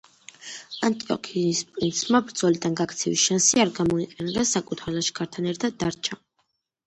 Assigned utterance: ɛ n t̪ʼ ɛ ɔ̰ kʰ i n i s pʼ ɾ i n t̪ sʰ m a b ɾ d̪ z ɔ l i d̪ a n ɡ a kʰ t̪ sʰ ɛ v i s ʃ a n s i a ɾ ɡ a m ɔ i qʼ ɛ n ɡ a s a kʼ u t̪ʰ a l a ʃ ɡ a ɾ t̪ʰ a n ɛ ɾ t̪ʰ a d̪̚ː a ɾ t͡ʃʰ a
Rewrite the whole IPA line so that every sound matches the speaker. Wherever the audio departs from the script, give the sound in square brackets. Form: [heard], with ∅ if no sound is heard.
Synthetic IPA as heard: [a] n t̪ʼ [i] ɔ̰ kʰ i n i s pʼ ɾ i n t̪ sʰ m a b ɾ d̪ z ɔ l i d̪ a n ɡ a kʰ t̪ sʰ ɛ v i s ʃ a n s i a ɾ ɡ a m ɔ i qʼ ɛ n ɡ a s a kʼ u t̪ʰ a l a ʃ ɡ a ɾ t̪ʰ a n ɛ ɾ t̪ʰ a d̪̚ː a ɾ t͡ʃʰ a

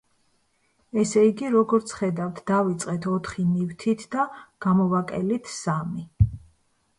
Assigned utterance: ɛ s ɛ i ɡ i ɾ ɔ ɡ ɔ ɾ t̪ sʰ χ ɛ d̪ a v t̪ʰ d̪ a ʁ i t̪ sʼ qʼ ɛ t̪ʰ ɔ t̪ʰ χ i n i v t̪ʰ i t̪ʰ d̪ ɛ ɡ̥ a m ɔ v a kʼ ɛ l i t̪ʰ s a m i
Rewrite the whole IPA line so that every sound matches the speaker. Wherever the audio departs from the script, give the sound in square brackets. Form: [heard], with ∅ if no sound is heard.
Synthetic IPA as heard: ɛ s ɛ i ɡ i ɾ ɔ ɡ ɔ ɾ t̪ sʰ χ ɛ d̪ a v t̪ʰ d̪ a [v] i t̪ sʼ qʼ ɛ t̪ʰ ɔ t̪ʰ χ i n i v t̪ʰ i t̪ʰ d̪ [a] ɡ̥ a m ɔ v a kʼ ɛ l i t̪ʰ s a m i

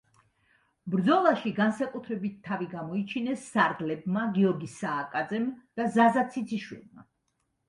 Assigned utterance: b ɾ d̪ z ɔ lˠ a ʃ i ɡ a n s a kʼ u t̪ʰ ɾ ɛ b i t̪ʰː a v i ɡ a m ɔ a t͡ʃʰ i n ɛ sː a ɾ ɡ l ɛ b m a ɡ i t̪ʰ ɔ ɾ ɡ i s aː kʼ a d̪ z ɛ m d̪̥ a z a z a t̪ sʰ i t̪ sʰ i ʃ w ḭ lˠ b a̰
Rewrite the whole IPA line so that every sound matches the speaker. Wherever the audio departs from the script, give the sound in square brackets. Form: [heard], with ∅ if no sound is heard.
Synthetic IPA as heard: b ɾ d̪ z ɔ lˠ a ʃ i ɡ a n s a kʼ u t̪ʰ ɾ ɛ b i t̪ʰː a v i ɡ a m ɔ [i] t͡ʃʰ i n ɛ sː a ɾ ɡ l ɛ b m a ɡ i [∅] ɔ ɾ ɡ i s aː kʼ a d̪ z ɛ m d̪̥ a z a z a t̪ sʰ i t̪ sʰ i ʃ w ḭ lˠ [m] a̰

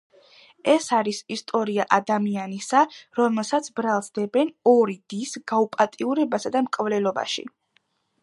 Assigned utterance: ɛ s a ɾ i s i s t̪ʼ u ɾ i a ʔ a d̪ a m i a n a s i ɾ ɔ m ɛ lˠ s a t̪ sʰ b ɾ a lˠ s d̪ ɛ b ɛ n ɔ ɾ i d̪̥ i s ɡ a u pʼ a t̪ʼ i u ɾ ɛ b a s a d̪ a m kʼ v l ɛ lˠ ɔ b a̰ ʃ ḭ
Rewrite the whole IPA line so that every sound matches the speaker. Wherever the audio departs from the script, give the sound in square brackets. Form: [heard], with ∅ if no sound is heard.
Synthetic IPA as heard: ɛ s a ɾ i s i s t̪ʼ [ɔ] ɾ i a ʔ a d̪ a m i a n [i] s [a] ɾ ɔ m ɛ lˠ s a t̪ sʰ b ɾ a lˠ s d̪ ɛ b ɛ n ɔ ɾ i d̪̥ i s ɡ a u pʼ a t̪ʼ i u ɾ ɛ b a s a d̪ a m kʼ v l ɛ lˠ ɔ b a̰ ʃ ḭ

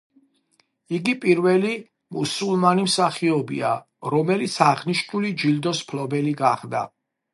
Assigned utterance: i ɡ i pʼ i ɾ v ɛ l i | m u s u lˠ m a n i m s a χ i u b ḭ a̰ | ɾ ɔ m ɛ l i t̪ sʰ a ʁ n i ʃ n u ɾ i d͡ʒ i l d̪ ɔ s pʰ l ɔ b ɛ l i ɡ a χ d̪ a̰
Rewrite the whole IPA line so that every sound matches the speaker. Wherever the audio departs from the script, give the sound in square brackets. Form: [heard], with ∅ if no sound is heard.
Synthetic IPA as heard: i ɡ i pʼ i ɾ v ɛ l i | m u s u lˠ m a n i m s a χ i [ɔ] b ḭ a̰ | ɾ ɔ m ɛ l i t̪ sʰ a ʁ n i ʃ n u [l] i d͡ʒ i l d̪ ɔ s pʰ l ɔ b ɛ l i ɡ a χ d̪ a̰

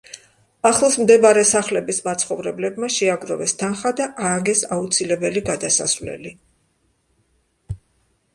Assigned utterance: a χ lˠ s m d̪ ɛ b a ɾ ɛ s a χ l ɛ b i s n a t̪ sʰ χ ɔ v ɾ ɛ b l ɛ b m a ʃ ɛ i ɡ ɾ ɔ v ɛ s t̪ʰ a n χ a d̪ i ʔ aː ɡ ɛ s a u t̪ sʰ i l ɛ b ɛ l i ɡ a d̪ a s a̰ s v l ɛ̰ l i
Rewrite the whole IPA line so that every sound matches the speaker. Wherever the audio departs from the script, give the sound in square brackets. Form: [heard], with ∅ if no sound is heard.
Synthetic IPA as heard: a χ lˠ s m d̪ ɛ b a ɾ ɛ s a χ l ɛ b i s [m] a t̪ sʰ χ ɔ v ɾ ɛ b l ɛ b m a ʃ ɛ [a] ɡ ɾ ɔ v ɛ s t̪ʰ a n χ a d̪ [a] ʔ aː ɡ ɛ s a u t̪ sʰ i l ɛ b ɛ l i ɡ a d̪ a s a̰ s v l ɛ̰ l i

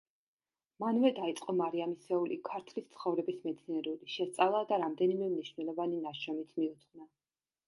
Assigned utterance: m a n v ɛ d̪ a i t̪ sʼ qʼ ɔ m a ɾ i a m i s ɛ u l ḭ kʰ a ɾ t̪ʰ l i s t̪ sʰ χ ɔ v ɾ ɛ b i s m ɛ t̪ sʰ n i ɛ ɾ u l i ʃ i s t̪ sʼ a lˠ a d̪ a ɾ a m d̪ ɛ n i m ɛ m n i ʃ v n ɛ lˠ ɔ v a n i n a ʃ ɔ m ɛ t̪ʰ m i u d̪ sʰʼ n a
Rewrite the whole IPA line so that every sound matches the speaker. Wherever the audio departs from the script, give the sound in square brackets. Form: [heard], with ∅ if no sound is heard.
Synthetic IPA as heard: m a n v ɛ d̪ a i t̪ sʼ qʼ ɔ m a ɾ i a m i s ɛ u l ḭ kʰ a ɾ t̪ʰ l i s t̪ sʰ χ ɔ v ɾ ɛ b i s m ɛ t̪ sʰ n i ɛ ɾ u l i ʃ [ɛ] s t̪ sʼ a lˠ a d̪ a ɾ a m d̪ ɛ n i m ɛ m n i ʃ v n ɛ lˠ ɔ v a n i n a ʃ ɔ m [i] t̪ʰ m i u [t̪] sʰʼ n a

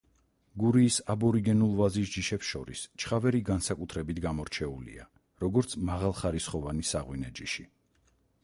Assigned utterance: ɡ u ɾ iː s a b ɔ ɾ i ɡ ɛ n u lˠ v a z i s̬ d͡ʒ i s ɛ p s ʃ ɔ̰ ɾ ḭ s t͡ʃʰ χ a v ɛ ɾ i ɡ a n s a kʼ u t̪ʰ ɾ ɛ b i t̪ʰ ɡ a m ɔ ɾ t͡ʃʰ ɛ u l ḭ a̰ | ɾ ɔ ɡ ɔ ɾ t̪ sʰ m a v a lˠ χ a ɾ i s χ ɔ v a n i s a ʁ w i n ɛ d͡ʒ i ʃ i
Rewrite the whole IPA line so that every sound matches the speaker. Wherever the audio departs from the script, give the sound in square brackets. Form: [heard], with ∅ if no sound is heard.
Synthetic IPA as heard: ɡ u ɾ iː s a b ɔ ɾ i ɡ ɛ n u lˠ v a z i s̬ d͡ʒ i [ʃ] ɛ p s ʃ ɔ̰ ɾ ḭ s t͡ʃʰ χ a v ɛ ɾ i ɡ a n s a kʼ u t̪ʰ ɾ ɛ b i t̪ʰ ɡ a m ɔ ɾ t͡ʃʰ ɛ u l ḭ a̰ | ɾ ɔ ɡ ɔ ɾ t̪ sʰ m a [ʁ] a lˠ χ a ɾ i s χ ɔ v a n i s a ʁ w i n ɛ d͡ʒ i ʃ i

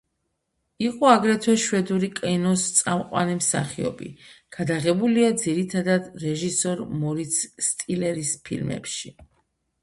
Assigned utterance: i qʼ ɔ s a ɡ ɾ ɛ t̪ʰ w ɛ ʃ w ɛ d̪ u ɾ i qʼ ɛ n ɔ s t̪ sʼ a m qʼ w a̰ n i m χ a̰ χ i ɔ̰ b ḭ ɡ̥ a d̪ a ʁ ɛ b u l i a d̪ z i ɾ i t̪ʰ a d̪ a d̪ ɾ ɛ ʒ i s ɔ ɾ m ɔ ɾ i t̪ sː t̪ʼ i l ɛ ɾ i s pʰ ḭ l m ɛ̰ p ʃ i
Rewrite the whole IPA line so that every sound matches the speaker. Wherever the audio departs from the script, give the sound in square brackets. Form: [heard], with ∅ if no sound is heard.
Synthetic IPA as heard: i qʼ ɔ [∅] a ɡ ɾ ɛ t̪ʰ w ɛ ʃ w ɛ d̪ u ɾ i [kʼ] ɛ n ɔ s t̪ sʼ a m qʼ w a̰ n i m [s] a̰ χ i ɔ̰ b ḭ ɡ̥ a d̪ a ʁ ɛ b u l i a d̪ z i ɾ i t̪ʰ a d̪ a d̪ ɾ ɛ ʒ i s ɔ ɾ m ɔ ɾ i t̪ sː t̪ʼ i l ɛ ɾ i s pʰ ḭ l m ɛ̰ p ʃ i

